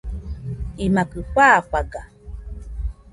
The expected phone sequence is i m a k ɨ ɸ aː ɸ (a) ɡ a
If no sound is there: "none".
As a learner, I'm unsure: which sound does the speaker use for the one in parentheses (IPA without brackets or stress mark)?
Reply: a